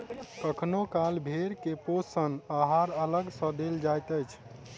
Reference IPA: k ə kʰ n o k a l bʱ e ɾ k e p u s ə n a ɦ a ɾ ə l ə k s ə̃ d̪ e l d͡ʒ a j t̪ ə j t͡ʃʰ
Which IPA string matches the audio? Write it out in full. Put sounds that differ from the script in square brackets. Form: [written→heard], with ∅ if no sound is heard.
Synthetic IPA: k ə kʰ n o k a l bʱ e ɾ k e p [u→o] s ə n a ɦ a ɾ ə l ə [k→ɡ] s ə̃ d̪ e l d͡ʒ a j t̪ ə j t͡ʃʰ